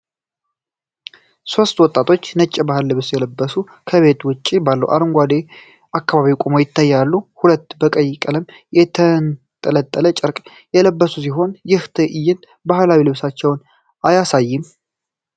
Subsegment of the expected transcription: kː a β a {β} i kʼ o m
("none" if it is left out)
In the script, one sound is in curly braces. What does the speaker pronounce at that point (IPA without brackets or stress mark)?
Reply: β